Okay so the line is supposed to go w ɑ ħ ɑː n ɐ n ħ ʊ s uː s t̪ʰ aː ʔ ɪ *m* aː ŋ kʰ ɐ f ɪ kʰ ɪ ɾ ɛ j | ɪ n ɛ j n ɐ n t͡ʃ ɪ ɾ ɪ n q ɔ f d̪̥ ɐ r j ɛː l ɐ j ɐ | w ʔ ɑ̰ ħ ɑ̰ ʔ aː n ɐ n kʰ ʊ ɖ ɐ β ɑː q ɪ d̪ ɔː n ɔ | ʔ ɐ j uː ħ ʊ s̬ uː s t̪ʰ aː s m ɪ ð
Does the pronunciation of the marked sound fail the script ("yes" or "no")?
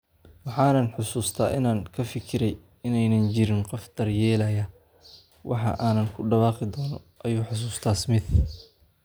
yes